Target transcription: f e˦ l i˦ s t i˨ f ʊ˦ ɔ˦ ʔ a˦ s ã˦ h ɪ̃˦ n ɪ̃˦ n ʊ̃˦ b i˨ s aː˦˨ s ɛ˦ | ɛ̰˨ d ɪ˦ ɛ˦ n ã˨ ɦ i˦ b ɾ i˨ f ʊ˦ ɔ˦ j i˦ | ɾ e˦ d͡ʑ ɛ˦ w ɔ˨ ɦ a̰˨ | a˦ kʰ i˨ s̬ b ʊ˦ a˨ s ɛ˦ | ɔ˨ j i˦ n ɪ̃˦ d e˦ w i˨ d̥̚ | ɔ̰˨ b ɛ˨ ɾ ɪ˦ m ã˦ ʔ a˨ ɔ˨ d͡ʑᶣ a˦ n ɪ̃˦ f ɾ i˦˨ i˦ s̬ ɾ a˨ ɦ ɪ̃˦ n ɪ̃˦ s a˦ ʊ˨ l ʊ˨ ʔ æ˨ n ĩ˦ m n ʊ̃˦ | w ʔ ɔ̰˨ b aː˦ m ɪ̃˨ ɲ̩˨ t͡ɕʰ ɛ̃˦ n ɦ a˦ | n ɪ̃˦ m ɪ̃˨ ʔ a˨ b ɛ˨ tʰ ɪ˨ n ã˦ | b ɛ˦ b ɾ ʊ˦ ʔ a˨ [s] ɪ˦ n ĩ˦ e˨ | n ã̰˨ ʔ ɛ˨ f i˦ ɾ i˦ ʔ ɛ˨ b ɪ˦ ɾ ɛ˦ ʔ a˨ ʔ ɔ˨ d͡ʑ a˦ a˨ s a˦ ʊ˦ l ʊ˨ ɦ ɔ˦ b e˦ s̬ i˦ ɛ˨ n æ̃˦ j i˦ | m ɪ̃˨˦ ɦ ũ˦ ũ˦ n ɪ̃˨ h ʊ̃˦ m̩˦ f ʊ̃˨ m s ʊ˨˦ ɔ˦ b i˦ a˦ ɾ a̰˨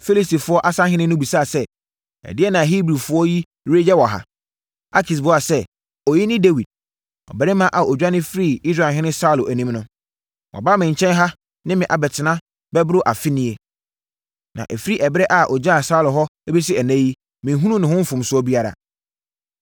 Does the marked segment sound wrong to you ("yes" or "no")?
yes